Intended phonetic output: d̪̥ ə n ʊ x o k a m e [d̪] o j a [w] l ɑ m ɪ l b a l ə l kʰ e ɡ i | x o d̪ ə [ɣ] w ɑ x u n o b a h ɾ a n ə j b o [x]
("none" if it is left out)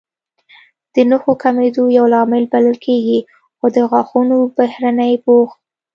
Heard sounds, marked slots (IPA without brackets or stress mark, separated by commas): d̪, w, ɣ, x